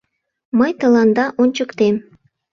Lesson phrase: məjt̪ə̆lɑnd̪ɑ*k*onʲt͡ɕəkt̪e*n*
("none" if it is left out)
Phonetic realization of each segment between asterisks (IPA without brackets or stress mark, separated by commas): ʔ, m